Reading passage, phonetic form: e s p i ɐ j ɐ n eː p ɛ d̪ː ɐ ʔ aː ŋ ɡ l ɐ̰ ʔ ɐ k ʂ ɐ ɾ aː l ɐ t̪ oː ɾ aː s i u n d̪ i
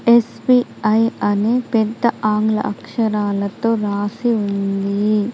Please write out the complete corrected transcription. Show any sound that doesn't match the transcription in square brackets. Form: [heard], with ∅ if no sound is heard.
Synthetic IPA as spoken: e s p i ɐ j ɐ n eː p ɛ d̪ː ɐ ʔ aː ŋ ɡ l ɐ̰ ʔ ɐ k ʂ ɐ ɾ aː l ɐ t̪ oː ɾ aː s i u n d̪ i